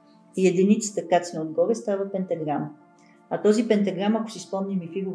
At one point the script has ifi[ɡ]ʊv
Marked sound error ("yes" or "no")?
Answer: no